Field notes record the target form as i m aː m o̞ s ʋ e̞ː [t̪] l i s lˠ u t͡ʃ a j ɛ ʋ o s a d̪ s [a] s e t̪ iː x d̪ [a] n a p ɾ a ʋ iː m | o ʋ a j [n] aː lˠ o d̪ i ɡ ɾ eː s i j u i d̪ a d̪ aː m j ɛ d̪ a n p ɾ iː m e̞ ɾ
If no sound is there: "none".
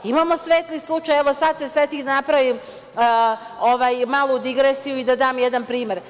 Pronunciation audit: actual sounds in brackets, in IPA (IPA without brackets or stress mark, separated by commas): t̪, e, a, m